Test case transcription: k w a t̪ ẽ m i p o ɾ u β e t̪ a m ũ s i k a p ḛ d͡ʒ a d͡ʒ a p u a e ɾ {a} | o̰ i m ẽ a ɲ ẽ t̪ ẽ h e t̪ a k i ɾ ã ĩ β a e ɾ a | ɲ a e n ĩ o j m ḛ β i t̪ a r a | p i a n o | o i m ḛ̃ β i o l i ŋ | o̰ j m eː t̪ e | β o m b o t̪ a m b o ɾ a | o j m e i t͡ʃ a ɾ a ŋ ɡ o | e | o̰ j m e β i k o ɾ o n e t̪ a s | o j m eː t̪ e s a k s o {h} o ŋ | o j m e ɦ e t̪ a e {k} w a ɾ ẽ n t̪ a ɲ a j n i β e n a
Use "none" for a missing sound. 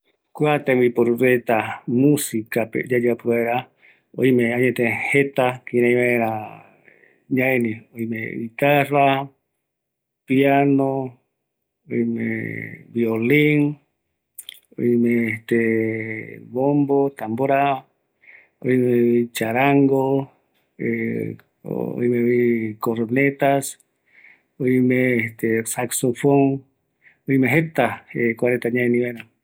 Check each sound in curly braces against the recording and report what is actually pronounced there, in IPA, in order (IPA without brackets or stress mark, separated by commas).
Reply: a, f, k